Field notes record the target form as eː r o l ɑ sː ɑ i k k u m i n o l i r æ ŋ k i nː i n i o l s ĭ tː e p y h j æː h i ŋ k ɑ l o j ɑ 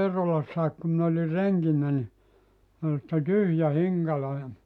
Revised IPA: eː r o l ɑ sː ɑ i k k u m i n o l i r e ŋ k i nː æ n i o l s ĭ tː e t y h j æ h i ŋ k ɑ l o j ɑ